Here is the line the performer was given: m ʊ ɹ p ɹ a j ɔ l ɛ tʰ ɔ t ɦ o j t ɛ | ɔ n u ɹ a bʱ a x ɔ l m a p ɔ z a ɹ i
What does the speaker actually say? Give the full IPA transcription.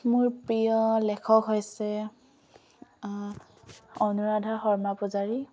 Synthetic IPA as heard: m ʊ ɹ p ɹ i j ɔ l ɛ kʰ ɔ k ɦ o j s ɛ | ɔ n u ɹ a dʱ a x ɔ ɹ m a p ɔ z a ɹ i